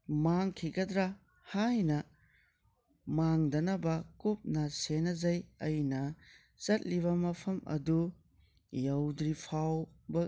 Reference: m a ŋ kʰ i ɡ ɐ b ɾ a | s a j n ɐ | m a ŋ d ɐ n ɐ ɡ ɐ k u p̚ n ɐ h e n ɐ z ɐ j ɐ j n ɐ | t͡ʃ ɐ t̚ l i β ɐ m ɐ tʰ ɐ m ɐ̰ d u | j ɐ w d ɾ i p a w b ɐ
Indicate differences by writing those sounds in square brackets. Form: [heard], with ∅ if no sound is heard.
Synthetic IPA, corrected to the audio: m a ŋ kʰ i ɡ ɐ [d] ɾ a | [h] a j n ɐ | m a ŋ d ɐ n ɐ [b] ɐ k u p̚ n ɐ [s] e n ɐ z ɐ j ɐ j n ɐ | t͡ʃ ɐ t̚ l i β ɐ m ɐ [pʰ] ɐ m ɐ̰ d u | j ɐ w d ɾ i [pʰ] a w b ɐ